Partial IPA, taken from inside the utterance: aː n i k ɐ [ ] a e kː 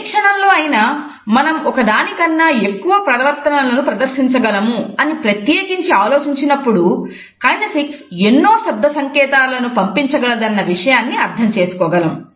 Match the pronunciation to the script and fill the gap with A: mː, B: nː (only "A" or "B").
B